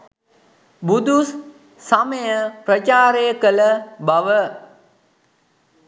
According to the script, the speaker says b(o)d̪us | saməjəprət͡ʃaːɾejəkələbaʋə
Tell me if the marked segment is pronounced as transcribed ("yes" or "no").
no